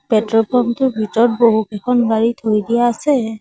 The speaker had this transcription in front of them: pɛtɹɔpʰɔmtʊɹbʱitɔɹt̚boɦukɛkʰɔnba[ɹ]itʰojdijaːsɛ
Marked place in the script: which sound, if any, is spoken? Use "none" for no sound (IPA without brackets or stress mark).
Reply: ɹ